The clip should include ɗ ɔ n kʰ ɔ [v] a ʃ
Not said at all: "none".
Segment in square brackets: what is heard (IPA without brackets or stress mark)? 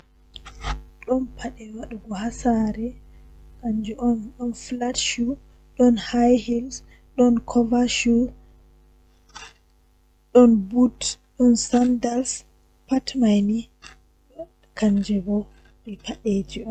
v